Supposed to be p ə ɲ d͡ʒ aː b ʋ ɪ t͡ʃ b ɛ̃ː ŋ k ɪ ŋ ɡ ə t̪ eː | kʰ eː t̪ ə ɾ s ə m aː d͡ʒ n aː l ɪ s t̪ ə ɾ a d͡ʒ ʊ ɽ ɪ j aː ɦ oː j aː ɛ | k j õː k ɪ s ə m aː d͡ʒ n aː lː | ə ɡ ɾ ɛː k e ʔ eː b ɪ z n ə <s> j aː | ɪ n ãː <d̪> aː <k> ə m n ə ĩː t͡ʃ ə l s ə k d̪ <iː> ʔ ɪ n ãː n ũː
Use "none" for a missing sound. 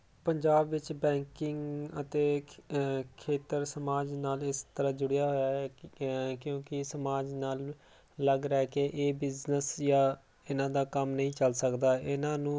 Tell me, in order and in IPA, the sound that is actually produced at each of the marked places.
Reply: s, d̪, k, aː

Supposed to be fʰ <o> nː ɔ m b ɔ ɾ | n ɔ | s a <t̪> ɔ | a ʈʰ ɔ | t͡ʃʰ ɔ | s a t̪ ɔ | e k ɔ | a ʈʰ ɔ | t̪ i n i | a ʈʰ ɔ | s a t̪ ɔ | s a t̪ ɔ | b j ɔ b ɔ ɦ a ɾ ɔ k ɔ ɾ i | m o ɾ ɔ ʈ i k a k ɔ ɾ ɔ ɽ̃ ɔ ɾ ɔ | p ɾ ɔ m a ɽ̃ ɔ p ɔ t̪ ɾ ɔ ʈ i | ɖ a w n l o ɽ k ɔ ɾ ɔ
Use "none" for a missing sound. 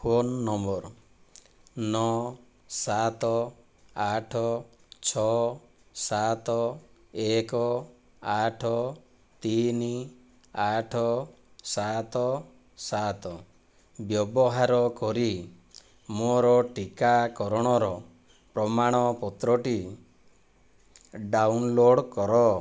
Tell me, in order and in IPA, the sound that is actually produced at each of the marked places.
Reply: o, t̪

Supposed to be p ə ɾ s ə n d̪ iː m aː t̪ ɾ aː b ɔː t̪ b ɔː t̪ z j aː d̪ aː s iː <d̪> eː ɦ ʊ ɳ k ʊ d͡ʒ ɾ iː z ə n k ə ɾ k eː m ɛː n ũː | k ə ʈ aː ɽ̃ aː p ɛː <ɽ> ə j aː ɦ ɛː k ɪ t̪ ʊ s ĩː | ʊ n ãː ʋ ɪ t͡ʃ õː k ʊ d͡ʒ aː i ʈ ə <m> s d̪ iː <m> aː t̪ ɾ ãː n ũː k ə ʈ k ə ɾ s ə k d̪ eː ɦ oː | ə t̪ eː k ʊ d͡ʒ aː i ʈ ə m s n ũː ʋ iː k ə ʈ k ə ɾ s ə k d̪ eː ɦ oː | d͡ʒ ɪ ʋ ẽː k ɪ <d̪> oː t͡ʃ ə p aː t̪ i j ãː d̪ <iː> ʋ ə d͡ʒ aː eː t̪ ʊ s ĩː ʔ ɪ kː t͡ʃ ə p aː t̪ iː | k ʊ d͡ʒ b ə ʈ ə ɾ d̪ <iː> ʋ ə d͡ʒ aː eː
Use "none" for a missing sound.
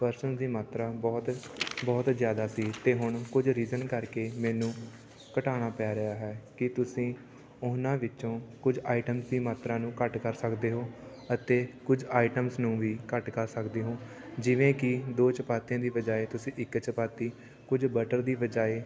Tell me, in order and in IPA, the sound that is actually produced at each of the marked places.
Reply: t̪, ɾ, m, m, d̪, iː, iː

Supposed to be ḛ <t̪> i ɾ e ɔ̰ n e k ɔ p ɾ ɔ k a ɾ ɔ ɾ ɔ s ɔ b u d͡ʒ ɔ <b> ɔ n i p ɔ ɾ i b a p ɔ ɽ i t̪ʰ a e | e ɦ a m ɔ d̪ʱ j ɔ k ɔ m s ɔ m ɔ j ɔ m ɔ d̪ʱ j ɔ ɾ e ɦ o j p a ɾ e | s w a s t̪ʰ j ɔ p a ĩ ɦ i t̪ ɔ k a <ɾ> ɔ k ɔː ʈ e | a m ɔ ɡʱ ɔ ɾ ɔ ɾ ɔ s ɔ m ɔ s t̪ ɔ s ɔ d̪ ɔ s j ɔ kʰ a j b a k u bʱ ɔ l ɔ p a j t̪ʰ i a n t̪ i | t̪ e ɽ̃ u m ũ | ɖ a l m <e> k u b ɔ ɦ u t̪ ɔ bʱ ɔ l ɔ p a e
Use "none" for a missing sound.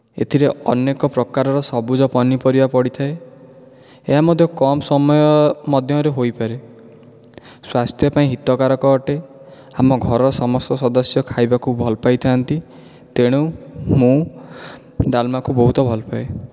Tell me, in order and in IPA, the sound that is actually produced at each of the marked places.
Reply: t̪ʰ, p, ɾ, a

